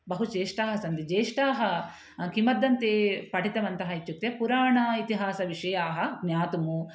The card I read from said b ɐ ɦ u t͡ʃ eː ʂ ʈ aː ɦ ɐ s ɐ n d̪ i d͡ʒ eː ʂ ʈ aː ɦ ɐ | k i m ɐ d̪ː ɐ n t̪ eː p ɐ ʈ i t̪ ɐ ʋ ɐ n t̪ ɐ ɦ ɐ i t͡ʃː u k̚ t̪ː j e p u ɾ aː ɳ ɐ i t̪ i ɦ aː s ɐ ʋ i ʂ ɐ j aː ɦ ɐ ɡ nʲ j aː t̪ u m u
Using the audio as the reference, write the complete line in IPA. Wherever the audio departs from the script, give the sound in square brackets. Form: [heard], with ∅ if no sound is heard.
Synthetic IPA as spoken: b ɐ ɦ u t͡ʃ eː ʂ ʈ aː ɦ ɐ s ɐ n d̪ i d͡ʒ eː ʂ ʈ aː ɦ ɐ | k i m ɐ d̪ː ɐ n t̪ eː p ɐ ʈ i t̪ ɐ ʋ ɐ n t̪ ɐ ɦ ɐ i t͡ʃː u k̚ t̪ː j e p u ɾ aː ɳ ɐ i t̪ i ɦ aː s ɐ ʋ i ʂ ɐ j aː ɦ ɐ ɡ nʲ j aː t̪ u m u